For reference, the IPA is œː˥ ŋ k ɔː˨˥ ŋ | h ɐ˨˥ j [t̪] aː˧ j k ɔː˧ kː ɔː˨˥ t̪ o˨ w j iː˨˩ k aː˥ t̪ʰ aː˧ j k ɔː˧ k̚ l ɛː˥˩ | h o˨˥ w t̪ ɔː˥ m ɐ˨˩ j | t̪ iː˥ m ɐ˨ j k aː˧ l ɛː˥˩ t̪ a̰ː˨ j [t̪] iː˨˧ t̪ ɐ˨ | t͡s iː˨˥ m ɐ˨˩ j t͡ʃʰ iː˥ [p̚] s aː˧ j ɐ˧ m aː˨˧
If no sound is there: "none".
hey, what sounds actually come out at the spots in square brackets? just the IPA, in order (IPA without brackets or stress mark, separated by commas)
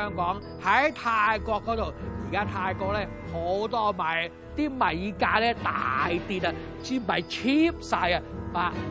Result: t̪ʰ, t̪, p̚